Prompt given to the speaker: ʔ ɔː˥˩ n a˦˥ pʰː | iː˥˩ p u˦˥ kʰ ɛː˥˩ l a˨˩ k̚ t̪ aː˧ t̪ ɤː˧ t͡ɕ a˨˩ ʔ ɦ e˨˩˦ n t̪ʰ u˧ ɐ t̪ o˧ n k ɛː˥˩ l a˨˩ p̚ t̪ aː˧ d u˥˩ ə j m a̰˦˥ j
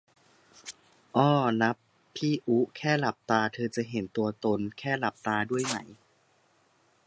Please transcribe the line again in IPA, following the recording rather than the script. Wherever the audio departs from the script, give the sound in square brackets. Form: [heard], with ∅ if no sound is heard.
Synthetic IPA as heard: ʔ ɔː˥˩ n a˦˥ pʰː | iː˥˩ [ʔ] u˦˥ kʰ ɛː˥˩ l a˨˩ [p̚] t̪ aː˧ [t̪ʰ] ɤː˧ t͡ɕ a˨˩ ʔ ɦ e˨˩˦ n [t̪] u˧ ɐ t̪ o˧ n [kʰ] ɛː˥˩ l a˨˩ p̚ t̪ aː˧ d u˥˩ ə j m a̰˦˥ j